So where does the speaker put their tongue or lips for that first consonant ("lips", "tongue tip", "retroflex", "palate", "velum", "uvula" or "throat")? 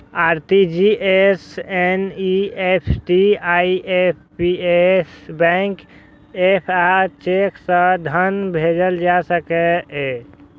tongue tip